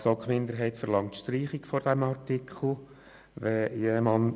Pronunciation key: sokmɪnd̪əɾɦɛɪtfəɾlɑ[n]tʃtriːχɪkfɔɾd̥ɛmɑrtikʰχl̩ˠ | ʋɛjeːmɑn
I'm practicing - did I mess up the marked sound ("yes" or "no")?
yes